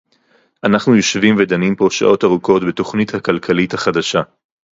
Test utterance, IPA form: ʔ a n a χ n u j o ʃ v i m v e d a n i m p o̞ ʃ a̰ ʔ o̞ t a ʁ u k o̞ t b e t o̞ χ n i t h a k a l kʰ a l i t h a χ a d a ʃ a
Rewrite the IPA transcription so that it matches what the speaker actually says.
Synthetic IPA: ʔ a n a χ n u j o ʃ v i m v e d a n i m p o̞ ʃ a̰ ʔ o̞ t a ʁ u k o̞ t b e t o̞ χ n i t h a k a l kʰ a l i t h a χ a d a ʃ a